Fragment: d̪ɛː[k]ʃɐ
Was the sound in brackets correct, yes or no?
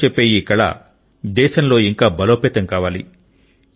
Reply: no